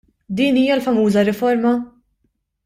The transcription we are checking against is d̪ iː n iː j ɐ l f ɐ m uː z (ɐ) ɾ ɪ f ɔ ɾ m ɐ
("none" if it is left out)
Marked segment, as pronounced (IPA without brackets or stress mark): ɐ